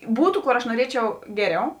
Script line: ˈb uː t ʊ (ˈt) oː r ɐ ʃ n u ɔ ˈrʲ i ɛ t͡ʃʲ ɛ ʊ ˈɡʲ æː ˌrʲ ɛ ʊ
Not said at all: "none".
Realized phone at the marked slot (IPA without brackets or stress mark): k